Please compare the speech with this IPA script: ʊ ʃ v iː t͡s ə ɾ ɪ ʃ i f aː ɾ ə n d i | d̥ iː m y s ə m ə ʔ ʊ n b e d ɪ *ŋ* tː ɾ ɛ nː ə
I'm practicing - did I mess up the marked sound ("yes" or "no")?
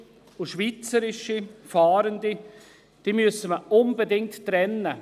no